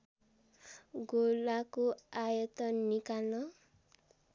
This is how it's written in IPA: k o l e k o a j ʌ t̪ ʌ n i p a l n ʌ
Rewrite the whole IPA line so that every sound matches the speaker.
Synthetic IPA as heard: ɡ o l a k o a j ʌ t̪ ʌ n i k a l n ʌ